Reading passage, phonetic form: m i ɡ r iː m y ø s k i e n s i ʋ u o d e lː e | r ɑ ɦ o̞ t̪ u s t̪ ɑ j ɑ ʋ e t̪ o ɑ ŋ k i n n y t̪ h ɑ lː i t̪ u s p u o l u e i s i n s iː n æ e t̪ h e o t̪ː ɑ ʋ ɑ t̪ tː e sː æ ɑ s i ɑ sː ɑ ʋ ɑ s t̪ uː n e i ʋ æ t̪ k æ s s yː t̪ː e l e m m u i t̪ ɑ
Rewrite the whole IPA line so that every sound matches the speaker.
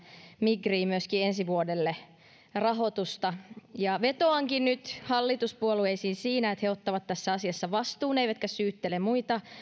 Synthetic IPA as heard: m i ɡ r iː m y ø s k i e n s i ʋ u o d e lː e | r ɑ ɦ o̞ t̪ u s t̪ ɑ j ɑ ʋ e t̪ o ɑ ŋ k i n n y t̪ h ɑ lː i t̪ u s p u o l u e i s iː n s iː n æ e t̪ h e o t̪ː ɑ ʋ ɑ t̪ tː æ sː æ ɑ s i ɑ sː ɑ ʋ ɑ s t̪ uː n e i ʋ æ t̪ k æ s s yː t̪ː e l e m m u i t̪ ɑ